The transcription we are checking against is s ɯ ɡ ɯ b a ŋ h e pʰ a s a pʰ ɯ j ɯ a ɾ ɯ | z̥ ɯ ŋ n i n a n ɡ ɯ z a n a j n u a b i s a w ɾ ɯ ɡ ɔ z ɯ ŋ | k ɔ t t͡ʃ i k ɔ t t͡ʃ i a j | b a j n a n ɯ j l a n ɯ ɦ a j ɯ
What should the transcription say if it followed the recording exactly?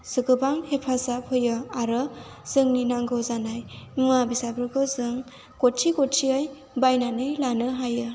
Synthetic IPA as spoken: s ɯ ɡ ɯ b a ŋ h e pʰ a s a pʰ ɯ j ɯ a ɾ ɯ | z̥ ɯ ŋ n i n a ŋ ɡ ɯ z a n a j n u a b i s a b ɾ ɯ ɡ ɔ z ɯ ŋ | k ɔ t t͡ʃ i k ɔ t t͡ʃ i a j | b a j n a n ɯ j l a n ɯ ɦ a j ɯ